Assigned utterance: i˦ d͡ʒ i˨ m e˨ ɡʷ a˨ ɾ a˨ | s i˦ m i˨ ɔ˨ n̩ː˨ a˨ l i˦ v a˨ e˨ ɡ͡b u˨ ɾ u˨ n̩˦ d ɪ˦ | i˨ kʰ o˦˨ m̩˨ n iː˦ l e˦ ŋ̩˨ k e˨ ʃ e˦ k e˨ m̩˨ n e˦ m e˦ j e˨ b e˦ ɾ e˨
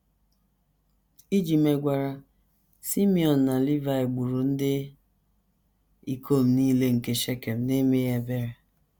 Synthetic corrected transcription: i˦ d͡ʒ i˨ m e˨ ɡʷ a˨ ɾ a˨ | s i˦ m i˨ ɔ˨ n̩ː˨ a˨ l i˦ v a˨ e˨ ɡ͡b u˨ ɾ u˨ n̩˦ d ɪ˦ | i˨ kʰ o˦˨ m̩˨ n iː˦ l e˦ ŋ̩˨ k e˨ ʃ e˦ k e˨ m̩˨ n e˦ m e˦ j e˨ b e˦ ɾ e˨